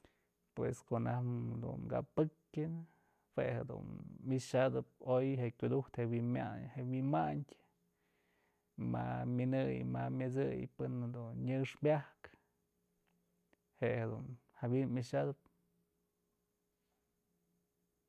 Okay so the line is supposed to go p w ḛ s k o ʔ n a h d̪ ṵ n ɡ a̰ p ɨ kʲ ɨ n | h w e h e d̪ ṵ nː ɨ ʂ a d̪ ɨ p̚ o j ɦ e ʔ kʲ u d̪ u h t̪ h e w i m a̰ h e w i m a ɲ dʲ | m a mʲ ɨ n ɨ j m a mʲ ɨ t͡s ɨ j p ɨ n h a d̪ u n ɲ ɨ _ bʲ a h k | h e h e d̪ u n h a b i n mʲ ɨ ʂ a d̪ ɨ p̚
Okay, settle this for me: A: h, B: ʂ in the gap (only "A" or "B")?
B